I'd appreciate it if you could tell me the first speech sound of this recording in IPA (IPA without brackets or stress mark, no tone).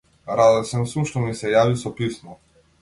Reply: ɾ